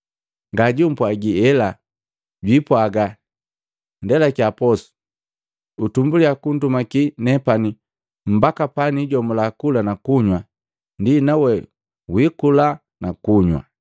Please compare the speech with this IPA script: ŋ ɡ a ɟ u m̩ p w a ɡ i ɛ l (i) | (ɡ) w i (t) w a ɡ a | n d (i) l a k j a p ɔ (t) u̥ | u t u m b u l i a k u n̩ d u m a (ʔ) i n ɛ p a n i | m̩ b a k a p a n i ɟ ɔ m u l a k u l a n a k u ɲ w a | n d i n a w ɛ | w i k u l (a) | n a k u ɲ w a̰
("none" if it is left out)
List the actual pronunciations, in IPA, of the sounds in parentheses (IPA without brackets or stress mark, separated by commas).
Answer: a, ɟ, p, ɛ, s, k, a